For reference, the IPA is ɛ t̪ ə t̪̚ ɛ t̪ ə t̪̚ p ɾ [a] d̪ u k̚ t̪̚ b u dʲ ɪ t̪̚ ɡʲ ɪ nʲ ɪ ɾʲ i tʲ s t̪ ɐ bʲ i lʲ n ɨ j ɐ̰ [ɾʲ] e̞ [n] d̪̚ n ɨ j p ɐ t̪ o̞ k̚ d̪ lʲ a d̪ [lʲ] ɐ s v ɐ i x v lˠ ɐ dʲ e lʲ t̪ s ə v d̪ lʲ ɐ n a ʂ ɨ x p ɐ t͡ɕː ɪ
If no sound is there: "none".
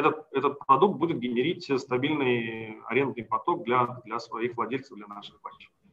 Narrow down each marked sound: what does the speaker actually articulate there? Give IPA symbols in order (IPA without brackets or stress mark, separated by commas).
ɐ, ɾʲ, n, lʲ